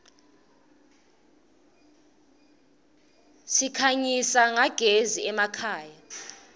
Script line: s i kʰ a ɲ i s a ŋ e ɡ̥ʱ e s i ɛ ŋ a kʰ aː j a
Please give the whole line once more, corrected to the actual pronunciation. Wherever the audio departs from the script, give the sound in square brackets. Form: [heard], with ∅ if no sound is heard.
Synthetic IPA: s i kʰ a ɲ i s a ŋ [a] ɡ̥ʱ e [z] i ɛ [m] a kʰ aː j a

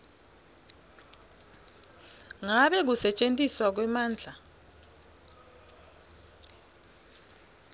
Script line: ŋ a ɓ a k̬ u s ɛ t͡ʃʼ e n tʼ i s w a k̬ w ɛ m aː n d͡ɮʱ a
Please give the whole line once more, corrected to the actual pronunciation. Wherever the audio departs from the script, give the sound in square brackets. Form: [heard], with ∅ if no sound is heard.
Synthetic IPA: ŋ a ɓ [ɛ] k̬ u s ɛ t͡ʃʼ e n tʼ i s w a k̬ w ɛ m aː n d͡ɮʱ a

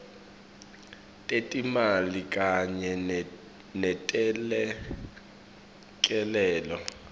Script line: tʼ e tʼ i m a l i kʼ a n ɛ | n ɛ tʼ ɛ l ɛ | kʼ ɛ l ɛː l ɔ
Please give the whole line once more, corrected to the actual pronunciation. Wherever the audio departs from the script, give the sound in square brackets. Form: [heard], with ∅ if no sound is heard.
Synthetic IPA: tʼ e tʼ i m a l i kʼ a [ɲ] ɛ | n ɛ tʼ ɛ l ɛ | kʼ ɛ l ɛː l ɔ

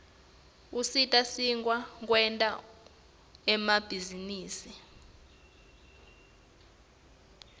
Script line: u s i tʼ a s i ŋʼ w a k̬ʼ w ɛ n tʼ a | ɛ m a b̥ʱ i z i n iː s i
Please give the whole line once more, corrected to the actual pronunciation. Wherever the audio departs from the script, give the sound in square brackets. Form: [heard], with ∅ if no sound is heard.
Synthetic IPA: u s i tʼ a s i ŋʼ w a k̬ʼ w ɛ n tʼ a | ɛ m a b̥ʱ i z i n iː s i

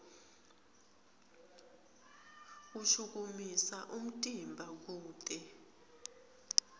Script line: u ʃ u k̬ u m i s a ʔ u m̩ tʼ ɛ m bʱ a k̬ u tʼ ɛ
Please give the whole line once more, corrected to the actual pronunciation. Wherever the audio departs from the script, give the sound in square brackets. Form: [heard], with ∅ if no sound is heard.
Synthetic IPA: u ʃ u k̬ u m i s a ʔ u m̩ tʼ [i] m bʱ a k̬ [uː] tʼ ɛ

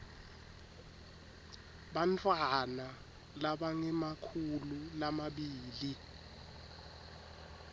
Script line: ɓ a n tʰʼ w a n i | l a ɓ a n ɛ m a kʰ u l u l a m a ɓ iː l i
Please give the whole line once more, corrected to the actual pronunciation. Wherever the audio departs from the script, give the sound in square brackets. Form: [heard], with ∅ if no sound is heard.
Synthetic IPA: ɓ a n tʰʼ w a n [a] | l a ɓ a [ŋ] ɛ m a kʰ u l u l a m a ɓ iː l i

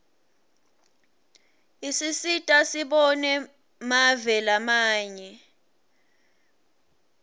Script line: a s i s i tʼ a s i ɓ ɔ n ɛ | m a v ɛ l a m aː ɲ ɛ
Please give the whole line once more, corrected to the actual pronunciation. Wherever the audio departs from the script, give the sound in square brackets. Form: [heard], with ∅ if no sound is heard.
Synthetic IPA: [i] s i s i tʼ a s i ɓ ɔ n ɛ | m a v ɛ l a m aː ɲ ɛ

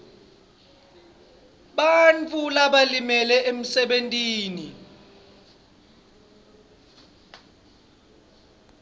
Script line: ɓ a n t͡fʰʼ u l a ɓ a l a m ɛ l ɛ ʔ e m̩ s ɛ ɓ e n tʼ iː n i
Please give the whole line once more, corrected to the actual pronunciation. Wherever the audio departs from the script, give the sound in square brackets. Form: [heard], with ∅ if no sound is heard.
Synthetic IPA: ɓ a n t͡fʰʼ u l a ɓ a l [i] m ɛ l ɛ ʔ e m̩ s ɛ ɓ e n tʼ iː n i

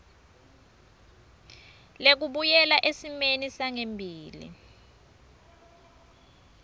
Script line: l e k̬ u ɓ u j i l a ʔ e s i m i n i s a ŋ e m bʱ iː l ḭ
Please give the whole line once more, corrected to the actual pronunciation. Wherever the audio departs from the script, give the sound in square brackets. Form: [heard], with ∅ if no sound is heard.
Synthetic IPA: l e k̬ u ɓ u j [ɛ] l a ʔ e s i m [e] n i s a ŋ e m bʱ iː l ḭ

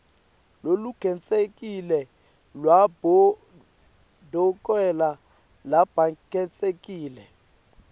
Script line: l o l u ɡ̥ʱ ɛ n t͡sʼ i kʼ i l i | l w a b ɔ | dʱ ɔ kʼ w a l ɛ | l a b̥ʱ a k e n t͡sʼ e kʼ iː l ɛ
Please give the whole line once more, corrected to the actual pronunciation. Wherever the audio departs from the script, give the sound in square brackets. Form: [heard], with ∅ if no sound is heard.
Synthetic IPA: l o l u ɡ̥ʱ ɛ n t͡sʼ [e] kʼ i l [ɛ] | l w a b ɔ | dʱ ɔ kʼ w [ɛ] l [a] | l a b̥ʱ a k [ɛ] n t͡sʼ e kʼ iː l ɛ

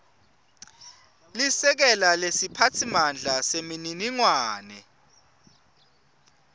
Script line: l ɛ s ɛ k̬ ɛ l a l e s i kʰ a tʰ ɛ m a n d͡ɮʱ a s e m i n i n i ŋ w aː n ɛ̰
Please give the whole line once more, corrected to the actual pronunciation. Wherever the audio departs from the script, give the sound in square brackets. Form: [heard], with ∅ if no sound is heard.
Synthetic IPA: l [i] s ɛ k̬ ɛ l a l e s i [pʰ] a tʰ [i] m a n d͡ɮʱ a s e m i n i n i ŋ w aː n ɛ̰

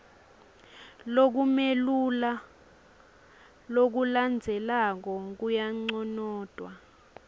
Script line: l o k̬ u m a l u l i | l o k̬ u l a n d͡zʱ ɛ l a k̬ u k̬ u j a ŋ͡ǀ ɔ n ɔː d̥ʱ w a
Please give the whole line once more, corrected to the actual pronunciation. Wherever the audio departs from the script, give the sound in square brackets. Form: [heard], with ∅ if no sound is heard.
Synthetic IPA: l o k̬ u m [e] l u l [a] | l o k̬ u l a n d͡zʱ ɛ l a k̬ [ɔ] k̬ u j a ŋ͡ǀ ɔ n ɔː d̥ʱ w a

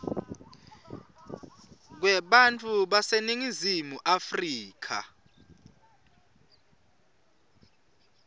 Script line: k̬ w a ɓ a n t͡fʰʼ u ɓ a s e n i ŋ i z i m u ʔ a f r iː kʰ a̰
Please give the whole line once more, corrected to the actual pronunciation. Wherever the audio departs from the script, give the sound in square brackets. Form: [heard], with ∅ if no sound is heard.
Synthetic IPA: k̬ w [ɛ] ɓ a n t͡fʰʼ u ɓ a s e n i ŋ i z i m u ʔ a f r iː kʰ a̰

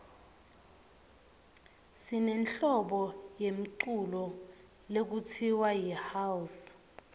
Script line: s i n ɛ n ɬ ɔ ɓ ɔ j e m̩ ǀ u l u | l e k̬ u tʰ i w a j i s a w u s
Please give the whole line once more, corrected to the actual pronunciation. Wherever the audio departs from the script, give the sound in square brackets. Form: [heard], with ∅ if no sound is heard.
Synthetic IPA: s i n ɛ n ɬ ɔ ɓ ɔ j e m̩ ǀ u l [ɔ] | l e k̬ u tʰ i w a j i [h] a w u s

